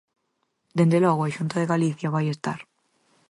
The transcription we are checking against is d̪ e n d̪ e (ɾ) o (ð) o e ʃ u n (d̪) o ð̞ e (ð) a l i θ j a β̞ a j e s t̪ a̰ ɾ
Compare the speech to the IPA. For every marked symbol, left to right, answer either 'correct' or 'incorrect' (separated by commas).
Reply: incorrect, incorrect, incorrect, incorrect